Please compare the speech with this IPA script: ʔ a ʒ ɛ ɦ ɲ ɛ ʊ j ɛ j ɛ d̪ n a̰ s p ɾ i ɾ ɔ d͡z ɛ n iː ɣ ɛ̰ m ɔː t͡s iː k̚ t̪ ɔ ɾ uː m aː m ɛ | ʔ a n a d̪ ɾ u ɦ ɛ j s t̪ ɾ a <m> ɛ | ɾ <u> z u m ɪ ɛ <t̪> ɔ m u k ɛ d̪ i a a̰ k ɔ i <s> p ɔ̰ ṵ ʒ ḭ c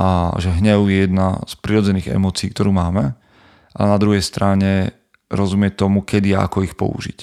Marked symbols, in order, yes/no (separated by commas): no, no, yes, no